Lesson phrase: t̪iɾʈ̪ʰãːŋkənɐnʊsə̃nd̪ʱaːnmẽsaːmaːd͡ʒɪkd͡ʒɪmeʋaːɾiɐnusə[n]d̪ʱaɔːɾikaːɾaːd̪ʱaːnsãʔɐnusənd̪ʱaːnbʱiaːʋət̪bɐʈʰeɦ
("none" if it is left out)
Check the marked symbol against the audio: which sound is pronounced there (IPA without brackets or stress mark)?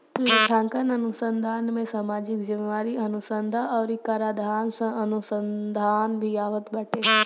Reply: n